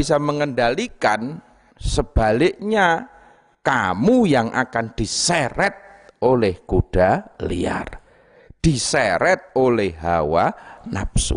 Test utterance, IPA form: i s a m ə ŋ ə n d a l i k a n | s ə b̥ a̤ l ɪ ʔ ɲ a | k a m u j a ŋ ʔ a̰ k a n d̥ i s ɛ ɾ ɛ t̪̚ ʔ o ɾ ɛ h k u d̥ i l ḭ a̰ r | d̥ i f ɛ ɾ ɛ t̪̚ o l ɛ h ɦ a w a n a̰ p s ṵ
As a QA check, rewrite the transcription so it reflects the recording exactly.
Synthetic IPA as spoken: i s a m ə ŋ ə n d a l i k a n | s ə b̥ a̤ l ɪ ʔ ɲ a | k a m u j a ŋ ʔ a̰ k a n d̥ i s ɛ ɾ ɛ t̪̚ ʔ o l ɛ h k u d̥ a l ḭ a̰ r | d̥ i s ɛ ɾ ɛ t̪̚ o l ɛ h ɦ a w a n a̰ p s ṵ